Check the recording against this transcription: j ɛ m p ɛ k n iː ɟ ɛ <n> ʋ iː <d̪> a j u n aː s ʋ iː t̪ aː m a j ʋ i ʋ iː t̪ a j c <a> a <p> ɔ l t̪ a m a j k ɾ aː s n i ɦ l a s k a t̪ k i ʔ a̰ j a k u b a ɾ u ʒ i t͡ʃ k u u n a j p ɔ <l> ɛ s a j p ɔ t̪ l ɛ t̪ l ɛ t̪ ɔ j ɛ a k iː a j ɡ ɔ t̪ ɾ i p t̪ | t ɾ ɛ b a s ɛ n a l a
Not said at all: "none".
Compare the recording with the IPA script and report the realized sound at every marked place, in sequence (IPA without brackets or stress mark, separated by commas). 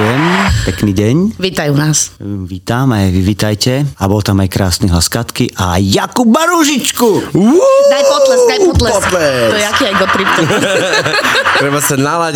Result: ɲ, t̪, ɛ, b, l